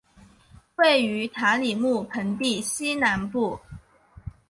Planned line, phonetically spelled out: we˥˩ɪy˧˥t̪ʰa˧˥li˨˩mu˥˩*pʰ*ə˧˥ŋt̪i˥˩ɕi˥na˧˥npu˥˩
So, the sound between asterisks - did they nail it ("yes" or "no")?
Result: yes